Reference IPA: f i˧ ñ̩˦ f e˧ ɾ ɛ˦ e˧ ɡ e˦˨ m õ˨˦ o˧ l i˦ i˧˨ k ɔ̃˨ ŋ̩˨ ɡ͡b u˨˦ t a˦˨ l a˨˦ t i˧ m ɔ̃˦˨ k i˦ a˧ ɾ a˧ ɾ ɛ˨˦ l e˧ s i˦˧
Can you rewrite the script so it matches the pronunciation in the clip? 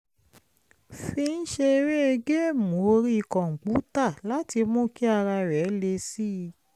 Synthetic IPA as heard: f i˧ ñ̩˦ ʃ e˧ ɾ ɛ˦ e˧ ɡ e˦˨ m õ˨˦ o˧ ɾ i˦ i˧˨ k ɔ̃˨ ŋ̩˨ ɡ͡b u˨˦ t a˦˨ l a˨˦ t i˧ m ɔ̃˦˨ k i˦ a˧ ɾ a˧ ɾ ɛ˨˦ l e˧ s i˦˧